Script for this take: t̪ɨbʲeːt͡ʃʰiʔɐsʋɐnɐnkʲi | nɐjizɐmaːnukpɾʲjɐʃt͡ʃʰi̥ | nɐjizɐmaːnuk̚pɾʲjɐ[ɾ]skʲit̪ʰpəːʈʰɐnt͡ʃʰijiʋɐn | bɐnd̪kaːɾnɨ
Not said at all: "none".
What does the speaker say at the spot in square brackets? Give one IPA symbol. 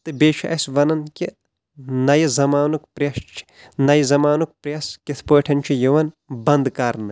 none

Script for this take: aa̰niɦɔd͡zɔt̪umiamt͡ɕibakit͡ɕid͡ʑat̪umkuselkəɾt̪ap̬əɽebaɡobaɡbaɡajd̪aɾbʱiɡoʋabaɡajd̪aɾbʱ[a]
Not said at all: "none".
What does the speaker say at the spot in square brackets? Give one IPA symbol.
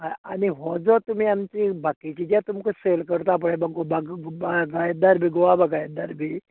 i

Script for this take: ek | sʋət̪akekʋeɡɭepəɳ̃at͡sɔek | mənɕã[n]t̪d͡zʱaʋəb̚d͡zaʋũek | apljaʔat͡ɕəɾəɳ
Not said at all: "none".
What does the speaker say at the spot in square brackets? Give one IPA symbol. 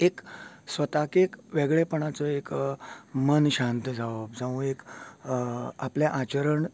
n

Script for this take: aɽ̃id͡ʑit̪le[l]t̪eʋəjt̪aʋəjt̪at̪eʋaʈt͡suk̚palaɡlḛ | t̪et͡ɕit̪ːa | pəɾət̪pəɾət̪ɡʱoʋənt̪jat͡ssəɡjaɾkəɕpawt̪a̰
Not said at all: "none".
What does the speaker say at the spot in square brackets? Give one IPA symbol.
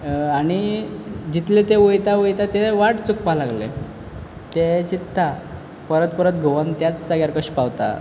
none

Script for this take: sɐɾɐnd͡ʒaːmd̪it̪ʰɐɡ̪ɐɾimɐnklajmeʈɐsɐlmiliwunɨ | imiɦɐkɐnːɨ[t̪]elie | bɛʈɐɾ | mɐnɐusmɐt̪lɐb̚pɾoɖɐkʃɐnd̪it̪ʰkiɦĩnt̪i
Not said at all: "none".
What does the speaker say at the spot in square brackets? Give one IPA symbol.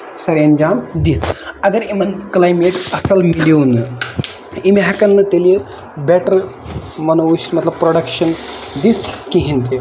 t̪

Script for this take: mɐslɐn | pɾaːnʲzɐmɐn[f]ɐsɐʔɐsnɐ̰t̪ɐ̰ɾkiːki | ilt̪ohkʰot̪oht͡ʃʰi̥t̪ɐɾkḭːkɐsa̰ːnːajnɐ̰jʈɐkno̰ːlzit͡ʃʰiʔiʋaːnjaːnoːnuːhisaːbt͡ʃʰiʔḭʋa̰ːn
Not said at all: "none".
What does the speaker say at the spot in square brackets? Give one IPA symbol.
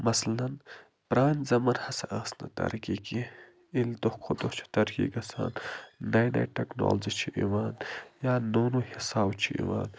h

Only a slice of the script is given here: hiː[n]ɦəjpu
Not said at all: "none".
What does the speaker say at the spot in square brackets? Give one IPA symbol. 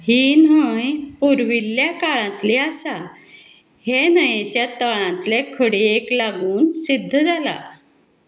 n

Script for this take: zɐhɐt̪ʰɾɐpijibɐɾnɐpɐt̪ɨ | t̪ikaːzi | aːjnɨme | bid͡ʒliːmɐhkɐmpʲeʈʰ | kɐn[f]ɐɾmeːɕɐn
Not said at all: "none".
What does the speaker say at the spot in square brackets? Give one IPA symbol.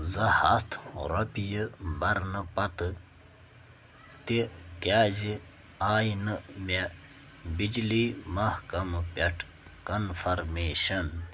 f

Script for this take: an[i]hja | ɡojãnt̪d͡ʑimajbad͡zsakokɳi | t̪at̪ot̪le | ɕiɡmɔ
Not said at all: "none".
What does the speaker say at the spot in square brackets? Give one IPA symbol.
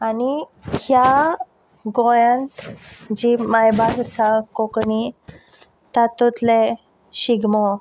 i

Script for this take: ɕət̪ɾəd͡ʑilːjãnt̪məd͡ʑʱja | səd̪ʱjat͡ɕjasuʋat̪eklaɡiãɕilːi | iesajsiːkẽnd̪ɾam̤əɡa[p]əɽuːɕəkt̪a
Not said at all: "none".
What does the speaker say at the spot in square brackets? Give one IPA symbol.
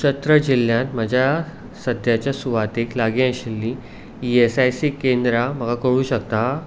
k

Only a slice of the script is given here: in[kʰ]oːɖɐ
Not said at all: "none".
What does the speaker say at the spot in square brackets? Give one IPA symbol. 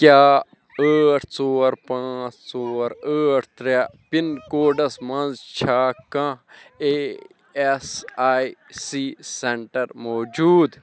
k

